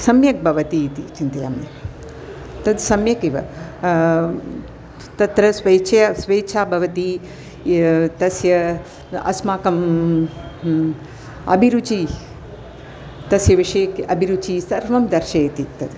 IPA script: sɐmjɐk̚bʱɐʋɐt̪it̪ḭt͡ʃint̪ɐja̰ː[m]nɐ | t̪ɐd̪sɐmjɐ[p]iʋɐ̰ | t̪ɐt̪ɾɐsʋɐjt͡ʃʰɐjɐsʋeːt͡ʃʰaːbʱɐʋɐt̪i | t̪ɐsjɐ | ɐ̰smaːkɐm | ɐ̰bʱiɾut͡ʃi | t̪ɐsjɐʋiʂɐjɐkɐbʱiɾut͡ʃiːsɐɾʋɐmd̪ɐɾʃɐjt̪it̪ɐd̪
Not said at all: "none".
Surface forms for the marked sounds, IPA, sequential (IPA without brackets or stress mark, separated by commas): m, k